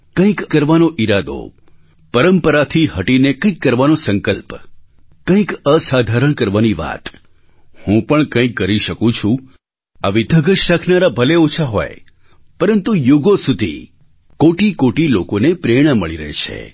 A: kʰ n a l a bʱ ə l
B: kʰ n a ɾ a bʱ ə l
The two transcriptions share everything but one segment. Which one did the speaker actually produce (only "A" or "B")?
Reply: B